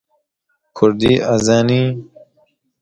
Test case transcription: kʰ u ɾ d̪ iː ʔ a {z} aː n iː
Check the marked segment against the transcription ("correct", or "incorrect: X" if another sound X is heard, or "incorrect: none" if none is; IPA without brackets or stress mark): correct